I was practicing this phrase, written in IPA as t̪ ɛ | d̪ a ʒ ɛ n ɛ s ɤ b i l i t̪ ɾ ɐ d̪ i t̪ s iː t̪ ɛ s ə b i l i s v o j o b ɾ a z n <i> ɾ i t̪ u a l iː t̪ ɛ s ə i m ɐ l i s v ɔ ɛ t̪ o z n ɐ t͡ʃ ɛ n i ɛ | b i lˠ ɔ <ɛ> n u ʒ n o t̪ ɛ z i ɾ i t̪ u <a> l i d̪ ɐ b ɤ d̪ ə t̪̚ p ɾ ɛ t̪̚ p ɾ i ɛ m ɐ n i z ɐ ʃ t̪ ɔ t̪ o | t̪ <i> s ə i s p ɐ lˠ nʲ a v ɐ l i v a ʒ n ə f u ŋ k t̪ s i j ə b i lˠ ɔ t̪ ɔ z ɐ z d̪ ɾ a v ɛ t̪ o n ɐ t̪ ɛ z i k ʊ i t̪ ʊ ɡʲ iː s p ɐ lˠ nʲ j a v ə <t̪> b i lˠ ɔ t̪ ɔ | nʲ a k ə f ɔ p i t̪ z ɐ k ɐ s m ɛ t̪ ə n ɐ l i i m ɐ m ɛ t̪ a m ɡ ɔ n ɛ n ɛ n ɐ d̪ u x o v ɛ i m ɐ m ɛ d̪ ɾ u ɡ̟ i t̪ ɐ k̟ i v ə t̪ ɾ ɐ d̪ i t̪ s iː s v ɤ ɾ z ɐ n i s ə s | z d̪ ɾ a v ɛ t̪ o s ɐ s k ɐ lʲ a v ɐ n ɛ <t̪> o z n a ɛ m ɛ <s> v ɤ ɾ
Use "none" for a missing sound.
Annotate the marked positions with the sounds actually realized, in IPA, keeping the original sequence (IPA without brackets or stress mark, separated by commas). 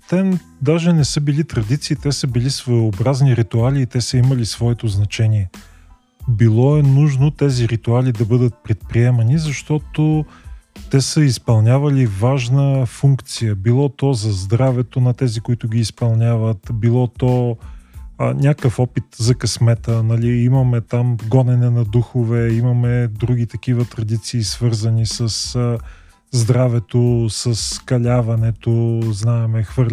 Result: i, ɛ, a, ɛ, t̪, t̪, x